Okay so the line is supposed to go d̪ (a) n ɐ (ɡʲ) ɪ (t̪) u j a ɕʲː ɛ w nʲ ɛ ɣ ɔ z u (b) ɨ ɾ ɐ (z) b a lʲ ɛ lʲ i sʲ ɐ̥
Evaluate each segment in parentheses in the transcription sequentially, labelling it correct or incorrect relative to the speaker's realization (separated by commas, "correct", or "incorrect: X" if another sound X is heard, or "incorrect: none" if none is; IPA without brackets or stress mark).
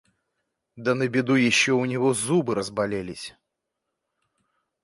incorrect: ɐ, incorrect: bʲ, incorrect: d̪, correct, correct